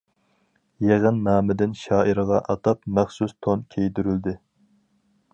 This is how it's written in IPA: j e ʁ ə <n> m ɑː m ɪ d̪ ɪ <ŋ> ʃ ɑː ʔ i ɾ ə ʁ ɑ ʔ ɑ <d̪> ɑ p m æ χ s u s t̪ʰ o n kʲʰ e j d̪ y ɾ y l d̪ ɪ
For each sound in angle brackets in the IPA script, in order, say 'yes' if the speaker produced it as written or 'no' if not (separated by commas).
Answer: yes, no, no